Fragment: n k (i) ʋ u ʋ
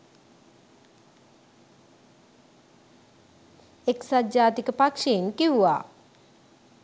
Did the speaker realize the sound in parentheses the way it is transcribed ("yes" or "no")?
yes